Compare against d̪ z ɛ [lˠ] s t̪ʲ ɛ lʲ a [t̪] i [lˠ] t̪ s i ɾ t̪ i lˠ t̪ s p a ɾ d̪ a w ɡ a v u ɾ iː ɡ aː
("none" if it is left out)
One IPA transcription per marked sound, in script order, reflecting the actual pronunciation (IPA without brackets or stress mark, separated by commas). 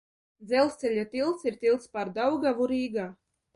lˠ, t̪, lˠ